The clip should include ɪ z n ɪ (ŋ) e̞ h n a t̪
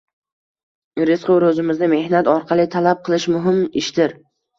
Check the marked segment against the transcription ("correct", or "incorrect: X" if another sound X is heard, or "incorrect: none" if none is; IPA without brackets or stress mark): incorrect: m